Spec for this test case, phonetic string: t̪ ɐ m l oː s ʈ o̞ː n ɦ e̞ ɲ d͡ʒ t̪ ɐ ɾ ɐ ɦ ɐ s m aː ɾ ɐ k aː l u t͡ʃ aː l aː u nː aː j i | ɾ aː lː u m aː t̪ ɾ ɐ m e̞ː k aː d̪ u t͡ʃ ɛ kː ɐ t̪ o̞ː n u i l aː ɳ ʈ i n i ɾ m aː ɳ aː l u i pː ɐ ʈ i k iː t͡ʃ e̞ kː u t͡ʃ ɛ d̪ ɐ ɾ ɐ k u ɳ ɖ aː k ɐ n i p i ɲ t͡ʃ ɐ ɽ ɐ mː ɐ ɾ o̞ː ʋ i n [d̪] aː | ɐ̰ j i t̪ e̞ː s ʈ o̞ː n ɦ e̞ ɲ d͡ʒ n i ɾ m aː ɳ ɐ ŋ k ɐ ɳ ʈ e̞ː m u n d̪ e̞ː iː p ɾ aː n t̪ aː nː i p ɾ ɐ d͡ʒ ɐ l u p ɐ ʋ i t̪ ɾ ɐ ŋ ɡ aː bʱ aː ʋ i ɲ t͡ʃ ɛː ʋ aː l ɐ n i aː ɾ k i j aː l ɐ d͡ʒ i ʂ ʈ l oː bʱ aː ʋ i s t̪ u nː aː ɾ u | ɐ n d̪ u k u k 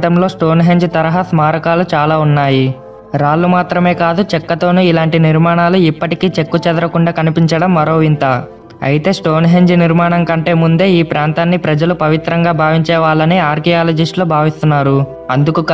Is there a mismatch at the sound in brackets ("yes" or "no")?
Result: yes